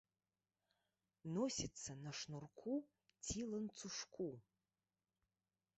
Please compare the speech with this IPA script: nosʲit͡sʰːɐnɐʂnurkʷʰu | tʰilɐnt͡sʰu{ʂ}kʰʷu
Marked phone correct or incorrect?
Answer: correct